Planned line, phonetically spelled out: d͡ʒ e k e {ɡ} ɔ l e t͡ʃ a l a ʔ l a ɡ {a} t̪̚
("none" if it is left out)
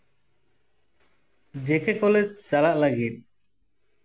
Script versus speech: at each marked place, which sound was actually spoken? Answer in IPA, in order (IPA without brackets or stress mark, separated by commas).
k, i